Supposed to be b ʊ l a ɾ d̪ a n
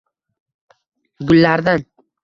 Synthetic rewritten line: ɡ ʊ lː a ɾ d̪ a n

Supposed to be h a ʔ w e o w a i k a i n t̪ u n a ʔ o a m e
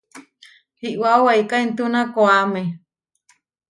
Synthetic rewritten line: h i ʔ w a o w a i k a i n t̪ u n a k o a m e

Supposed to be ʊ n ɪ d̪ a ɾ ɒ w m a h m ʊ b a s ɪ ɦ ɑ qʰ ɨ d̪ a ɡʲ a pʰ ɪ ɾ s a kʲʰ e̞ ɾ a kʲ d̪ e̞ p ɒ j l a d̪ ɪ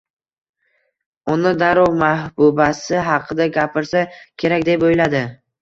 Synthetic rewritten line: ʊ n ɪ d̪ a ɾ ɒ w m a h b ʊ b a s ɪ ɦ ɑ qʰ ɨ d̪ a ɡʲ a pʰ ɪ ɾ s a kʲʰ e̞ ɾ a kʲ d̪ e̞ p o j l a d̪ ɪ

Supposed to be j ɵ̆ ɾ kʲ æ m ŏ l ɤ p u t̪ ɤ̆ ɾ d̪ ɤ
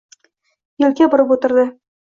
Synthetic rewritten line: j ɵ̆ l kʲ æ b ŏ ɾ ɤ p u t̪ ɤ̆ ɾ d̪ ɤ

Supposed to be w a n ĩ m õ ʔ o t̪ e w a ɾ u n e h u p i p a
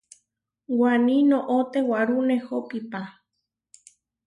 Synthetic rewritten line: w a n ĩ n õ ʔ o t̪ e w a ɾ u n e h o p i p a

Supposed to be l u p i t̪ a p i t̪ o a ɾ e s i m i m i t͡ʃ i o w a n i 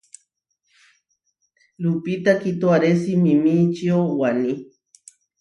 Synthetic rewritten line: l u p i t̪ a k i t̪ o a ɾ e s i m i m i t͡ʃ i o w a n i

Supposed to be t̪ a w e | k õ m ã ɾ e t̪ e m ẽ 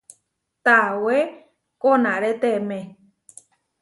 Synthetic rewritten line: t̪ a w e | k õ n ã ɾ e t̪ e m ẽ

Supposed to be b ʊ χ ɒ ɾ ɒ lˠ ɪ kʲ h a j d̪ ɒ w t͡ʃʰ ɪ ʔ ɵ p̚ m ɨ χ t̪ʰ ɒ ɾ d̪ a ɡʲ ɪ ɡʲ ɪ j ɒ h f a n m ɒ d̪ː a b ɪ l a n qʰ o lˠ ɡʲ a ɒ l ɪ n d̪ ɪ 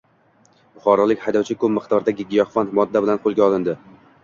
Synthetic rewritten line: b ʊ χ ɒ ɾ ɒ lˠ ɪ kʲ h a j d̪ ɒ w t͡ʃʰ ɪ k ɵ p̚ m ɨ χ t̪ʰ ɒ ɾ d̪ a ɡʲ ɪ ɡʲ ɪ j ɒ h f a n m ɒ d̪ː a b ɪ l a n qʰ o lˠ ɡʲ a ɒ l ɪ n d̪ ɪ

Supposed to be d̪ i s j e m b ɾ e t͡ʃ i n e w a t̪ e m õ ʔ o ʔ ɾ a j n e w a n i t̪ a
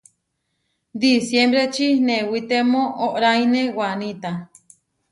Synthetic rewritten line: d̪ i s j e m b ɾ e t͡ʃ i n e w i t̪ e m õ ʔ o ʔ ɾ a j n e w a n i t̪ a

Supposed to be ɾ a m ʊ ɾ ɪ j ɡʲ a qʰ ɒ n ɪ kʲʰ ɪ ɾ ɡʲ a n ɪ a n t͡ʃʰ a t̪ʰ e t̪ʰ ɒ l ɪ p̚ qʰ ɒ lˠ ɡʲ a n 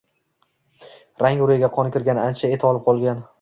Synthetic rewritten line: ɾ a ŋ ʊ ɾ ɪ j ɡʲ a qʰ ɒ n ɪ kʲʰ ɪ ɾ ɡʲ a n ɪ a n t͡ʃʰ a e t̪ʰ ɒ l ɪ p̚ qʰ ɒ lˠ ɡʲ a n

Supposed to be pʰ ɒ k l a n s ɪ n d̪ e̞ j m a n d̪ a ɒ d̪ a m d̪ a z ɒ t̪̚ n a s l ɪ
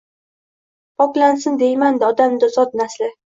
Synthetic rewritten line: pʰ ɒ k l a n s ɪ n d̪ e̞ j m a n d̪ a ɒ d̪ a m d̪ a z ɒ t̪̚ n a s l ɪ

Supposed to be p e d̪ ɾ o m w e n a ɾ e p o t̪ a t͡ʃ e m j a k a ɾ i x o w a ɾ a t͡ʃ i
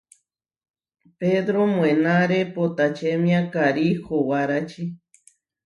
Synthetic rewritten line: p e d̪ ɾ o m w e n a ɾ e p o t̪ a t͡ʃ e m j a k a ɾ i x o w a ɾ a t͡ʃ i

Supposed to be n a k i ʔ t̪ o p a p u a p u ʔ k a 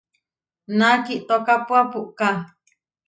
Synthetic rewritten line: n a k i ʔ t̪ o k a p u a p u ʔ k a

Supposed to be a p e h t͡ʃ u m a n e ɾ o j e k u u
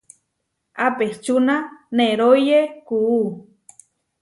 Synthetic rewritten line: a p e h t͡ʃ u n a n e ɾ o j e k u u

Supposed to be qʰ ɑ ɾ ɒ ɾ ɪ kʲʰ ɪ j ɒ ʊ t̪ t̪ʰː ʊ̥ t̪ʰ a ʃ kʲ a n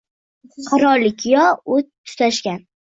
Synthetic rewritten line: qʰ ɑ ɾ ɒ l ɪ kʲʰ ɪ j ɒ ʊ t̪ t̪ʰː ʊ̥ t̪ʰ a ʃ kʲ a n

